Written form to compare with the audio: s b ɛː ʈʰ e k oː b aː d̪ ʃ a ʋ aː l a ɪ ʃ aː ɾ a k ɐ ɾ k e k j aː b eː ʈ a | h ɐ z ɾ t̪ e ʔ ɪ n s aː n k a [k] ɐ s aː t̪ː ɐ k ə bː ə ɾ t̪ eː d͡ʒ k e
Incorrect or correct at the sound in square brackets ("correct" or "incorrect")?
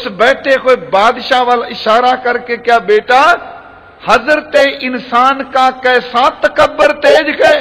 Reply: correct